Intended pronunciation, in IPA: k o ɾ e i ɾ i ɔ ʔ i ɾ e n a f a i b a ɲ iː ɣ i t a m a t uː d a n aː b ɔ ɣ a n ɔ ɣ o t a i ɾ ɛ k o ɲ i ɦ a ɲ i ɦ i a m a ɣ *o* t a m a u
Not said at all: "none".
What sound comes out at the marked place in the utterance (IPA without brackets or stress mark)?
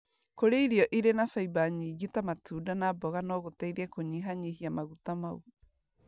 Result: u